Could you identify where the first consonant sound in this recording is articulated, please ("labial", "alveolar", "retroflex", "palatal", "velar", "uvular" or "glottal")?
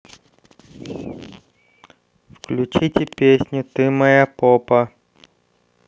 labial